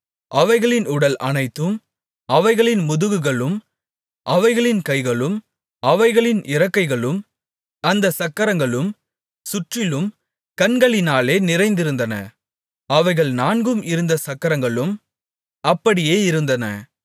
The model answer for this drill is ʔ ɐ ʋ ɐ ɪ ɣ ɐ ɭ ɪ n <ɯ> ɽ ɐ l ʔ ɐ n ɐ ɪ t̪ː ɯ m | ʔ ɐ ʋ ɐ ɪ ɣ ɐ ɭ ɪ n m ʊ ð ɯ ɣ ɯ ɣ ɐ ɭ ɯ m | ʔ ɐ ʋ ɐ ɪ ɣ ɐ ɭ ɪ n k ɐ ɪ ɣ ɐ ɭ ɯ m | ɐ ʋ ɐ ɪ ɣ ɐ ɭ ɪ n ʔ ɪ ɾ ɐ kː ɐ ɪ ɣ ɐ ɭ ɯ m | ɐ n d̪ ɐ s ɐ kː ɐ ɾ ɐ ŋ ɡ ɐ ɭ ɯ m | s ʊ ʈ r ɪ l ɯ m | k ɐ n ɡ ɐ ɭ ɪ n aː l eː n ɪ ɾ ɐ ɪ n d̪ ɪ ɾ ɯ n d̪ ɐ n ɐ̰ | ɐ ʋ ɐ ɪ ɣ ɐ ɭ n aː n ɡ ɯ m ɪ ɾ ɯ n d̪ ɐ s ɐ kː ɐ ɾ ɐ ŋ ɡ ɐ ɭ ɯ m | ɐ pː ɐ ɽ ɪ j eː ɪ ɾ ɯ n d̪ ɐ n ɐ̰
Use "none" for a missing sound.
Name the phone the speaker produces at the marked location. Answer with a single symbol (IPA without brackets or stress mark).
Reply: ʊ